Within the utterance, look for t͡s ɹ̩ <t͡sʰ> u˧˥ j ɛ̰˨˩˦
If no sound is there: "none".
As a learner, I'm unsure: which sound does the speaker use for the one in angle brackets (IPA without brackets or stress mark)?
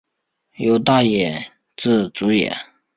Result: t͡s